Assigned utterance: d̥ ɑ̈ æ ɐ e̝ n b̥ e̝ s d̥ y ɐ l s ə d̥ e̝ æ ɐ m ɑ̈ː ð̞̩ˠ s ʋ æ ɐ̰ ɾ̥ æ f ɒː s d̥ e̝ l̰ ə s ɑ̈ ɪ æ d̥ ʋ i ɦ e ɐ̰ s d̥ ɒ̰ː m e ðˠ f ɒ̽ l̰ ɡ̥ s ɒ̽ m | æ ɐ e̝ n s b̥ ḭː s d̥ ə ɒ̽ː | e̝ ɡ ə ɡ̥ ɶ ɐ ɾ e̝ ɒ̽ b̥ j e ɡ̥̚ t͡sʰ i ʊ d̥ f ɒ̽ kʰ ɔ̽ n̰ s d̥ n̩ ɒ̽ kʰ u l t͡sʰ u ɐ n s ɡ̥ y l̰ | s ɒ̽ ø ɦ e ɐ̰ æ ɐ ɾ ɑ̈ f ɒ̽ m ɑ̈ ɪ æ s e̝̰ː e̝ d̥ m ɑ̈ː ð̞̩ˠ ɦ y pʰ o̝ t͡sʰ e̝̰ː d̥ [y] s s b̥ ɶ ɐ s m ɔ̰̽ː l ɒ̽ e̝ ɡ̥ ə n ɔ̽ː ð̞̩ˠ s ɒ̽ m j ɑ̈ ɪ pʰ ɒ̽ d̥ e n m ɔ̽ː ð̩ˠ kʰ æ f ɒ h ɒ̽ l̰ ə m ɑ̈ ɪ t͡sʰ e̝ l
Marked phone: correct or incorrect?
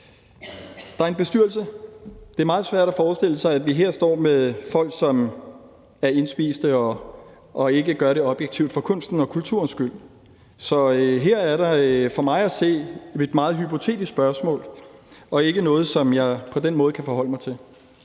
incorrect